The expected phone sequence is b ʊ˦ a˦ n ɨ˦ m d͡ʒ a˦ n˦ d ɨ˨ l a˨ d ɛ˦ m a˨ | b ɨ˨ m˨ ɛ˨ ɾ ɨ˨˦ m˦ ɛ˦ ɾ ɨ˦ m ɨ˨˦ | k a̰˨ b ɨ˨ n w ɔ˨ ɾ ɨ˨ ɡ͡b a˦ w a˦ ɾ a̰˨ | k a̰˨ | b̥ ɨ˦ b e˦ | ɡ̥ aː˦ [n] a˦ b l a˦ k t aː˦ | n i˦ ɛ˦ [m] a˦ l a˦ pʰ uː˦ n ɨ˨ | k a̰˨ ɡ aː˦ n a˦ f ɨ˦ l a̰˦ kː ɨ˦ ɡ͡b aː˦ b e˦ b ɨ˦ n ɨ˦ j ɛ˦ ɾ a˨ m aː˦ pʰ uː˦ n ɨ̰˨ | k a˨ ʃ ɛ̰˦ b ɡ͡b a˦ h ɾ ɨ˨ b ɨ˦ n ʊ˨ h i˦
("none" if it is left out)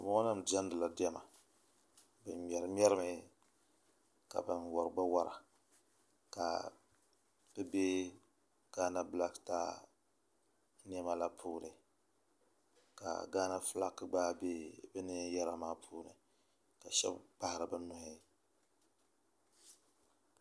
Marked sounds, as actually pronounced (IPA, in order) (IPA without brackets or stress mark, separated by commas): n, m